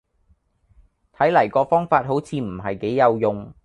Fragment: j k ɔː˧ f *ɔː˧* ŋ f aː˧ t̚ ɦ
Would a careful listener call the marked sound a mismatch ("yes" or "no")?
yes